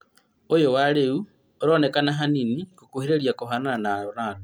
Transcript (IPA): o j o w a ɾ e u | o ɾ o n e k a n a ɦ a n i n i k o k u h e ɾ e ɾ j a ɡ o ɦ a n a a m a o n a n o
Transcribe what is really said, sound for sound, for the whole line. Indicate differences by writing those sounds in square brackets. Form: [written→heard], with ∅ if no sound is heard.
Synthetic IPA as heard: o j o w a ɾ e u | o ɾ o n e k a n a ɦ a n i n i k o k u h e ɾ e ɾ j a [ɡ→k] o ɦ a n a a [m→n] a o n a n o